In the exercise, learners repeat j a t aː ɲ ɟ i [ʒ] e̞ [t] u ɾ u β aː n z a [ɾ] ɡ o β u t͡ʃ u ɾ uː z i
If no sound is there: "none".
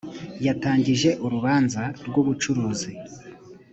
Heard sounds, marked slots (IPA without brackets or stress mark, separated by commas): ʒ, ʔ, ɾ